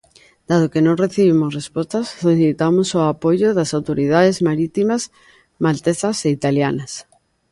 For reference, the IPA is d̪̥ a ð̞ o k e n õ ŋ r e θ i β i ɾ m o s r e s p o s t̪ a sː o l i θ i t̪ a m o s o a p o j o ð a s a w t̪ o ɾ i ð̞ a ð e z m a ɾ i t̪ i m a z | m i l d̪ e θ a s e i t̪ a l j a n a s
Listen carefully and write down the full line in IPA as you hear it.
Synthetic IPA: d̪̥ a ð̞ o k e n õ ŋ r e θ i β i m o s r e s p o s t̪ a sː o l i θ i t̪ a m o s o a p o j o ð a s a w t̪ o ɾ i ð̞ a ð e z m a ɾ i t̪ i m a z | m a l t̪ e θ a s e i t̪ a l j a n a s

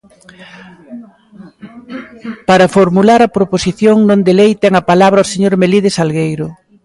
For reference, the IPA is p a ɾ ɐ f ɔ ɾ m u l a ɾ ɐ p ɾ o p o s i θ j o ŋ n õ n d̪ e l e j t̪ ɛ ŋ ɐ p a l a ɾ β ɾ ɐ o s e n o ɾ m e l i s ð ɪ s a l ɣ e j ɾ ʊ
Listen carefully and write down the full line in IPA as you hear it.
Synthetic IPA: p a ɾ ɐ f o ɾ m u l a ɾ ɐ p ɾ o p o s i θ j o ŋ n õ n d̪ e l e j t̪ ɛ ŋ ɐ p a l a β ɾ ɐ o s e ɲ o ɾ m e l i ð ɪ s a l ɣ e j ɾ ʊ

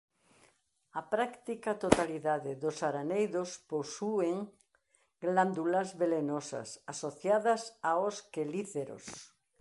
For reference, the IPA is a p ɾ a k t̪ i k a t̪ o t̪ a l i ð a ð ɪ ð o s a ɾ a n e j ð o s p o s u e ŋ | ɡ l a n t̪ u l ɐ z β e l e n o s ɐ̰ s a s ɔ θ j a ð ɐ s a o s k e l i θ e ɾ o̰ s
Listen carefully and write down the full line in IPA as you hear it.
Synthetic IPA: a p ɾ a k t̪ i k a t̪ o t̪ a l i ð a ð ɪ ð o s a ɾ a n e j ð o s p o s u e ŋ | ɡ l a n d̪ u l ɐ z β e l e n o s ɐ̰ s a s o θ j a ð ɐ s a o s k e l i θ e ɾ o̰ s

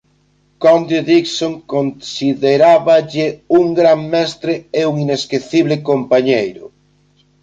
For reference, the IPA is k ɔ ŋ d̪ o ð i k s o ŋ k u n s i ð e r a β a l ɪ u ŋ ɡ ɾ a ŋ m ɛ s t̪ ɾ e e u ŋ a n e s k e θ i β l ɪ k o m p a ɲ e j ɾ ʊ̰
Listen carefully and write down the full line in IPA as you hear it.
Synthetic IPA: k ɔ n d̪ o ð i k s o ŋ k o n s i ð e ɾ a β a ʎ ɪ u ŋ ɡ ɾ a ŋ m ɛ s t̪ ɾ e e u ŋ i n e s k e θ i β l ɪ k o m p a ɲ e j ɾ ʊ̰

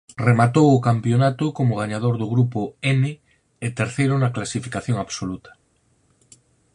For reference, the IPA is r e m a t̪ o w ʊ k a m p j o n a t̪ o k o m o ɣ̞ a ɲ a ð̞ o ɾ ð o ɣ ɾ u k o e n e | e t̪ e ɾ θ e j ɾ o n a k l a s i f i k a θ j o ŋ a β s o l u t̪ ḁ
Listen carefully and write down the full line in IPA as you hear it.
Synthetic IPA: r e m a t̪ o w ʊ k a m p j o n a t̪ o k o m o ɣ̞ a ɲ a ð̞ o ɾ ð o ɣ ɾ u p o e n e | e t̪ e ɾ θ e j ɾ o n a k l a s i f i k a θ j o ŋ a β s o l u t̪ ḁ

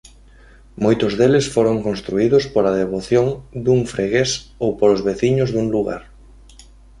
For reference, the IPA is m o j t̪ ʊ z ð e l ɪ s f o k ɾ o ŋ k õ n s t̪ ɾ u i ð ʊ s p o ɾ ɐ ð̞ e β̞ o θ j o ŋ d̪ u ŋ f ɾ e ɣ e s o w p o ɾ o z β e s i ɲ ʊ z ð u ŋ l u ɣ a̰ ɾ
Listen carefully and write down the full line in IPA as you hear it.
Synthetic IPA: m o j t̪ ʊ z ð e l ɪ s f o ɾ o ŋ k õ n s t̪ ɾ u i ð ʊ s p o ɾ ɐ ð̞ e β̞ o θ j o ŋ d̪ u ŋ f ɾ e ɣ e s o w p o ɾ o z β e θ i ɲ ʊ z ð u ŋ l u ɣ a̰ ɾ

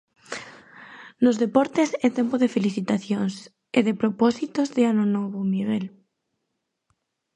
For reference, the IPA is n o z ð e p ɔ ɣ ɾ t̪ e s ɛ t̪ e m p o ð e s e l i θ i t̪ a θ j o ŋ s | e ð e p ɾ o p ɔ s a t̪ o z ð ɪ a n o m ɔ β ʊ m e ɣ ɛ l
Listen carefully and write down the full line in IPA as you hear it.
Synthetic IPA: n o z ð e p ɔ ɾ t̪ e s ɛ t̪ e m p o ð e f e l i θ i t̪ a θ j o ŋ s | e ð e p ɾ o p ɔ s i t̪ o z ð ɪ a n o n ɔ β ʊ m i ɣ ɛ l

